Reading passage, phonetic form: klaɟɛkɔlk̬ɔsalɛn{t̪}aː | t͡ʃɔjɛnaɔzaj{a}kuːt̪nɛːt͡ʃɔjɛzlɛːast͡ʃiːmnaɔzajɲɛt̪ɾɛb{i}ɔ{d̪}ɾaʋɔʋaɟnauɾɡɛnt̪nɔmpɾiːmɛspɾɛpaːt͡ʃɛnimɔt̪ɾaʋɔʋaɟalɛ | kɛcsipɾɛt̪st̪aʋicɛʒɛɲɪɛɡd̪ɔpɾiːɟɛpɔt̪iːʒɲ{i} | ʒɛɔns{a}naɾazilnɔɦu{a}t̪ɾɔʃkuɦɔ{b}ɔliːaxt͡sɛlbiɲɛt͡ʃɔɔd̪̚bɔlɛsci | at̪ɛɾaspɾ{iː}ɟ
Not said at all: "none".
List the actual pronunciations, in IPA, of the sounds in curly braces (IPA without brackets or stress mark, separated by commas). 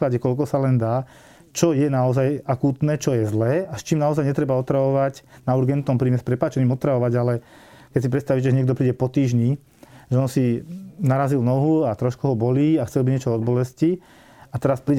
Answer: d̪, a, a, t̪, i, i, a, b, iː